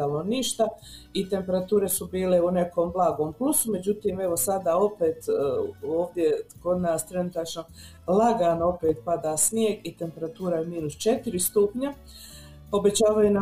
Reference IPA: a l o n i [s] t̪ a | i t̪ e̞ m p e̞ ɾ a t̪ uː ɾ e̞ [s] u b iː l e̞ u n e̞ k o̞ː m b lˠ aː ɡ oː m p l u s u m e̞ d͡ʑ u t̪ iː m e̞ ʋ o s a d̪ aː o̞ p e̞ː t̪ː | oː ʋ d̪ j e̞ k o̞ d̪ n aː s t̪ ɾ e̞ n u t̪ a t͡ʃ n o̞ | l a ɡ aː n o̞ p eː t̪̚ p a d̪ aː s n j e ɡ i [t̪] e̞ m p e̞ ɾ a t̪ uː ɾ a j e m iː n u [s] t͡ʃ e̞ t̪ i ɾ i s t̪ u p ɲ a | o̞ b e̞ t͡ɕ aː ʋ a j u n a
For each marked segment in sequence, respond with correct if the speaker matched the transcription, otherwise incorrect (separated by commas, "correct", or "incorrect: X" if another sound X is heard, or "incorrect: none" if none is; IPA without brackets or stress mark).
incorrect: ʃ, correct, correct, correct